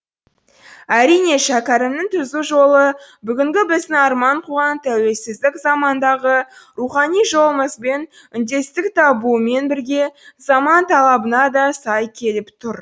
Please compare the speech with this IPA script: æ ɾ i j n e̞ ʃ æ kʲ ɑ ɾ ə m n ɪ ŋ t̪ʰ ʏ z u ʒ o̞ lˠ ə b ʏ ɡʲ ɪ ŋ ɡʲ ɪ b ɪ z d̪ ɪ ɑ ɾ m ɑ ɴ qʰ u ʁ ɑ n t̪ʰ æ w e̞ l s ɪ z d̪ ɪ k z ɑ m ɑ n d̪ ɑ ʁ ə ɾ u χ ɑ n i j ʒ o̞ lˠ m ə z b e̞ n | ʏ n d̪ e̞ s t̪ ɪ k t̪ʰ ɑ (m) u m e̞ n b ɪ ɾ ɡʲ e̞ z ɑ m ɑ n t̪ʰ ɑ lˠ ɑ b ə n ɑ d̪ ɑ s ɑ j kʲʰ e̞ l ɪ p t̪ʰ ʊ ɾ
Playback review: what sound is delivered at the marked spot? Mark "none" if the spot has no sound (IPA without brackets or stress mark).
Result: b